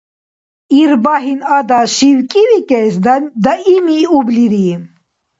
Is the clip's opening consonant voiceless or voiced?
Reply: voiced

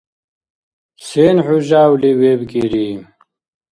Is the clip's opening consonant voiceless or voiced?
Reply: voiceless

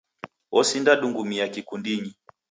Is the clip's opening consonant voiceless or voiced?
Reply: voiceless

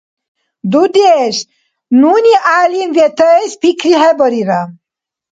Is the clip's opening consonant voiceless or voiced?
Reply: voiced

